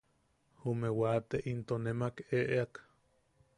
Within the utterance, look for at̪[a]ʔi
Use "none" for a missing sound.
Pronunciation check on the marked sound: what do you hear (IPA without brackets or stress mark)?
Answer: e